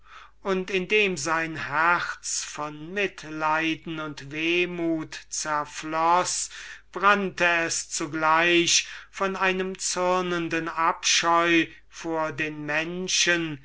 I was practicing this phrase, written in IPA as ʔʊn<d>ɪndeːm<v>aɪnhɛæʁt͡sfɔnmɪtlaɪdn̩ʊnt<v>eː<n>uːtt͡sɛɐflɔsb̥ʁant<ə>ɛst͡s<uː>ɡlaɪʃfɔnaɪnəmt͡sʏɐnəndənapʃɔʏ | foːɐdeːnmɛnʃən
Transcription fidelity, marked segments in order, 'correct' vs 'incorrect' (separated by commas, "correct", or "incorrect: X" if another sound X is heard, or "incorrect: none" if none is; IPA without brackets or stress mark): incorrect: t, incorrect: z, correct, incorrect: m, correct, incorrect: u